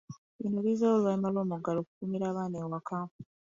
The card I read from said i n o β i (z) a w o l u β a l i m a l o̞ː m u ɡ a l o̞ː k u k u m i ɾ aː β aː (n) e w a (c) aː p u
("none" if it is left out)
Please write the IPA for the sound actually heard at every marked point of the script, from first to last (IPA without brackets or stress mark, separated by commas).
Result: z, n, k